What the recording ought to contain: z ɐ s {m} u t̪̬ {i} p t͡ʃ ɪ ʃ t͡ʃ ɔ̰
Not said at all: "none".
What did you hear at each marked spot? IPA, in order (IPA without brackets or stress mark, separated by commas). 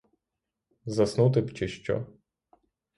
n, ɪ